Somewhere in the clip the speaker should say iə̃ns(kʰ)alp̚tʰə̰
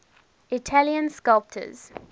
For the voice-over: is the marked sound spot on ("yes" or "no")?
no